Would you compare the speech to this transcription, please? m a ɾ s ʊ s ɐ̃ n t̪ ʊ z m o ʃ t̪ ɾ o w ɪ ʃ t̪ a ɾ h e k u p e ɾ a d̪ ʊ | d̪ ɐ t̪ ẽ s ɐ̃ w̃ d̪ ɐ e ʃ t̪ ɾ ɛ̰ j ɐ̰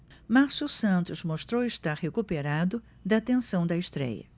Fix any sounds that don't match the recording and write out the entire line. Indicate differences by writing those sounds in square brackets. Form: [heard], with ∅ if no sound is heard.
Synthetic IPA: m a ɾ s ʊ s ɐ̃ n t̪ ʊ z m o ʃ t̪ ɾ o w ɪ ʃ t̪ a ɾ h e k u p e ɾ a d̪ ʊ | d̪ ɐ t̪ ẽ s ɐ̃ w̃ d̪ ɐ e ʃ t̪ ɾ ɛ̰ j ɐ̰

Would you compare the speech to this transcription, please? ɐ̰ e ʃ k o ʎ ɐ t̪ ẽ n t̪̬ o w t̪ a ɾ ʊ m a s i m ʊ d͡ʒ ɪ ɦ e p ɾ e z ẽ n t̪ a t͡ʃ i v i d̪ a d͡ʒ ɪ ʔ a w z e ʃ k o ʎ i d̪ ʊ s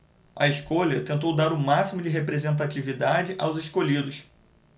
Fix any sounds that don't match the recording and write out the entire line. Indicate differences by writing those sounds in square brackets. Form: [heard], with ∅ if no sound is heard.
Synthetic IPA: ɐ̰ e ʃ k o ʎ ɐ t̪ ẽ n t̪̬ o w [d̪] a ɾ ʊ m a s i m ʊ d͡ʒ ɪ ɦ e p ɾ e z ẽ n t̪ a t͡ʃ i v i d̪ a d͡ʒ ɪ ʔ a w z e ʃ k o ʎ i d̪ ʊ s

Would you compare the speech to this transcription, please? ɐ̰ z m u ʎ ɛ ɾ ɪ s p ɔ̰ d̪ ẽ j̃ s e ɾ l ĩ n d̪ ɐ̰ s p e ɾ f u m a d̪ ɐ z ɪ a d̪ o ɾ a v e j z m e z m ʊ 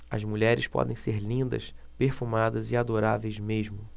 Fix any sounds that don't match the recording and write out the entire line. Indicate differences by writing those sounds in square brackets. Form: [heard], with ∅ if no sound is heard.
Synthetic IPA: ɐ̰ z m u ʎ ɛ ɾ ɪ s p ɔ̰ d̪ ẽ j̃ s e ɾ l ĩ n d̪ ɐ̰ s p e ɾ f u m a d̪ ɐ z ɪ a d̪ o ɾ a v e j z m e [ʒ] m ʊ

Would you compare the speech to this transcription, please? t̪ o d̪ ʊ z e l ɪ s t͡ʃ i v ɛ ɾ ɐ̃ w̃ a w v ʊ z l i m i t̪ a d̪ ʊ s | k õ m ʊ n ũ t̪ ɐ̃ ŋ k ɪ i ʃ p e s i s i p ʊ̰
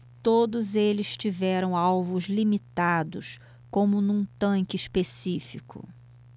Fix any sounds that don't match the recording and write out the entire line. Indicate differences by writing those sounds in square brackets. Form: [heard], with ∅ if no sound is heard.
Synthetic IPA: t̪ o d̪ ʊ z e l ɪ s t͡ʃ i v ɛ ɾ ɐ̃ w̃ a w v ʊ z l i m i t̪ a d̪ ʊ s | k õ m ʊ n ũ t̪ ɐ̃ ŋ k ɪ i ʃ p e s i [f] i [k] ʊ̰

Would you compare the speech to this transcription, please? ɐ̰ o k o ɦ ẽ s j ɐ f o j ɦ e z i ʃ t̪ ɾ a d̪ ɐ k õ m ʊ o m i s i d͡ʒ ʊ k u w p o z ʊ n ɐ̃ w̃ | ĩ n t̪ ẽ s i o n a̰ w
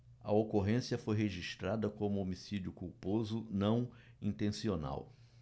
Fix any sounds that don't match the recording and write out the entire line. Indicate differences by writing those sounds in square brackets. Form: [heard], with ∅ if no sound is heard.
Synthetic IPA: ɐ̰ o k o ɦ ẽ s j ɐ f o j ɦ e [ʒ] i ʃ t̪ ɾ a d̪ ɐ k õ m ʊ o m i s i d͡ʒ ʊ k u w p o z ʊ n ɐ̃ w̃ | ĩ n t̪ ẽ s i o n a̰ w

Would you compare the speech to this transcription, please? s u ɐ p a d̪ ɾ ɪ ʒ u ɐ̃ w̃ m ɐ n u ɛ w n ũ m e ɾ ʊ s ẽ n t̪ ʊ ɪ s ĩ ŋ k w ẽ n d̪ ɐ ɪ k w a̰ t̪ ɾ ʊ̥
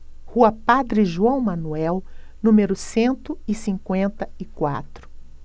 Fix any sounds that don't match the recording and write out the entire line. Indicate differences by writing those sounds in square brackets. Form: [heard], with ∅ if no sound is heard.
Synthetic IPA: [h] u ɐ p a d̪ ɾ ɪ ʒ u ɐ̃ w̃ m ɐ n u ɛ w n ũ m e ɾ ʊ s ẽ n t̪ ʊ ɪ s ĩ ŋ k w ẽ n [t̪] ɐ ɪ k w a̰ t̪ ɾ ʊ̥

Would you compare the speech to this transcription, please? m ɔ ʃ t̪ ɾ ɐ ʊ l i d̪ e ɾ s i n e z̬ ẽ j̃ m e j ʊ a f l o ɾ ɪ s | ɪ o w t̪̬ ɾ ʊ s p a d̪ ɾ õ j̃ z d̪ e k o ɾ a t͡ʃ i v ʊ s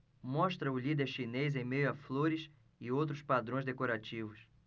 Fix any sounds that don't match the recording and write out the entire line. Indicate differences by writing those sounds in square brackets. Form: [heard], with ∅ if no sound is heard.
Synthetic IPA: m ɔ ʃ t̪ ɾ ɐ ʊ l i d̪ e ɾ [ʃ] i n e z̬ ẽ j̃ m e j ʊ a f l o ɾ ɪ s | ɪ o w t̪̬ ɾ ʊ s p a d̪ ɾ õ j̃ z d̪ e k o ɾ a t͡ʃ i v ʊ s

